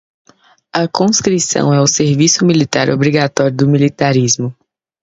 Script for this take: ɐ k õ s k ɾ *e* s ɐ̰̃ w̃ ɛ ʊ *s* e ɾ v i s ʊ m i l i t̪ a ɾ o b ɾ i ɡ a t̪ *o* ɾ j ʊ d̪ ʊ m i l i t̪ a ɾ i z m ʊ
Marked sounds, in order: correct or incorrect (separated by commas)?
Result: incorrect, correct, incorrect